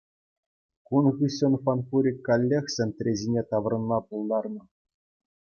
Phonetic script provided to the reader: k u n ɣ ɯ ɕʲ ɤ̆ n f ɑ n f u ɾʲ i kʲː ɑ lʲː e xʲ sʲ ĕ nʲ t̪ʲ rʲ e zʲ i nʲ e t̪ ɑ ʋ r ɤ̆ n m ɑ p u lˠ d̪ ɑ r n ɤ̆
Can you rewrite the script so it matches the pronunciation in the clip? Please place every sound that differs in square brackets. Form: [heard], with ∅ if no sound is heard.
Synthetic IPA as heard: k u n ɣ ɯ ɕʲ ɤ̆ n f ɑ n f u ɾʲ i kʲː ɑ lʲː e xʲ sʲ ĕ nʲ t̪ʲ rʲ e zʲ i nʲ e t̪ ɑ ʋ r ɤ̆ n m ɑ p u lˠ d̪ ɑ r n ɤ̆